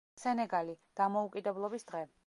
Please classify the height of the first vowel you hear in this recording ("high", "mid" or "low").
mid